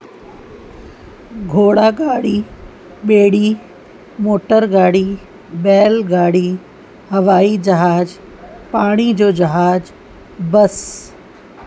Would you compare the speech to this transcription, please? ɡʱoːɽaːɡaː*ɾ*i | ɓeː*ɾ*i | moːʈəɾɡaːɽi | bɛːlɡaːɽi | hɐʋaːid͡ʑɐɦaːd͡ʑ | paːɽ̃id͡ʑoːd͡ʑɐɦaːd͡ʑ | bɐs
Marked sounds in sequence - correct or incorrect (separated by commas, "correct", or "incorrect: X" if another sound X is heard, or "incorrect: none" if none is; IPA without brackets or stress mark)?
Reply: incorrect: ɽ, incorrect: ɽ